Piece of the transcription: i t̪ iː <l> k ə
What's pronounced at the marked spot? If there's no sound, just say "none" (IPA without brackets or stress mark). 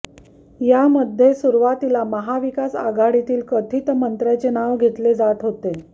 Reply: l